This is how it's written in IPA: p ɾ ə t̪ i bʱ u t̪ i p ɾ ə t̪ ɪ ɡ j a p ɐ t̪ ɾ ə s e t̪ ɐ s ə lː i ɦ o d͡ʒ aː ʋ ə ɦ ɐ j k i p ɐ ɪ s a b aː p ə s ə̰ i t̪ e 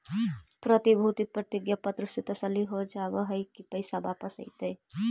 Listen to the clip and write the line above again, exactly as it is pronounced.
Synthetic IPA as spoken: p ɾ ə t̪ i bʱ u t̪ i p ɾ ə t̪ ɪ ɡ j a p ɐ t̪ ɾ ə s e t̪ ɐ s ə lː i ɦ o d͡ʒ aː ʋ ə ɦ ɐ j k i p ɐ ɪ s a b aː p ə s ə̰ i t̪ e